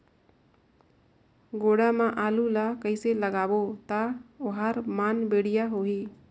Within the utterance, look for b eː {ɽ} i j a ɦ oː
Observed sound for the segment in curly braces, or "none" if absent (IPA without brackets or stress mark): ɽ